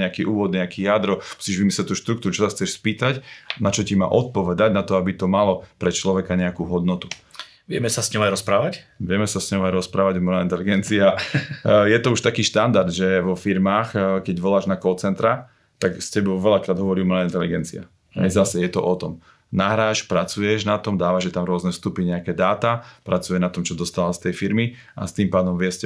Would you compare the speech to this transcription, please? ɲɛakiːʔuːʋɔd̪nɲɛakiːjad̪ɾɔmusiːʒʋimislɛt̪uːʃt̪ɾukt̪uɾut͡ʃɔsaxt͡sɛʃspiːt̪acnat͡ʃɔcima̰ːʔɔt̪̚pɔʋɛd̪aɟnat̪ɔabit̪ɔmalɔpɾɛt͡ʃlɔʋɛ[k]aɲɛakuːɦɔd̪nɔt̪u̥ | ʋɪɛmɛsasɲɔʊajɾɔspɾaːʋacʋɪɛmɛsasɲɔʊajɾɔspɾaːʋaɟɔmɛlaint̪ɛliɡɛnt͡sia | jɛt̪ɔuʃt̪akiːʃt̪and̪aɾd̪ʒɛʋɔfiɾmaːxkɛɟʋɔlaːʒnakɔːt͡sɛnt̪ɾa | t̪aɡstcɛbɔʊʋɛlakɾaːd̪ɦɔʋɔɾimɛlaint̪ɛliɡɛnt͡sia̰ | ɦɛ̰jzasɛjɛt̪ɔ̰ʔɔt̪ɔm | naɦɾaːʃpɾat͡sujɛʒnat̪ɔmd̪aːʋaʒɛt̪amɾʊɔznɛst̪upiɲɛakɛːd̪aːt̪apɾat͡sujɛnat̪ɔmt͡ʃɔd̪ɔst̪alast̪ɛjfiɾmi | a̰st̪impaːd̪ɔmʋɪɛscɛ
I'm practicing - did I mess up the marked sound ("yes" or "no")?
no